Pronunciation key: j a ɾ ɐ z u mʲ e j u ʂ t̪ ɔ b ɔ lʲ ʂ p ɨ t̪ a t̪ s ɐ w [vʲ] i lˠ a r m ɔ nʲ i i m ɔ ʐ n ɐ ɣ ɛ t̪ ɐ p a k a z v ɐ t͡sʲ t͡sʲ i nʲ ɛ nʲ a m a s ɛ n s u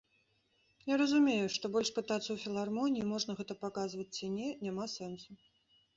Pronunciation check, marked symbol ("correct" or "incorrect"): incorrect